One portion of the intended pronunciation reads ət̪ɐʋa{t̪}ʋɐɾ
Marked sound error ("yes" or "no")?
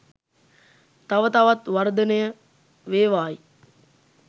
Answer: no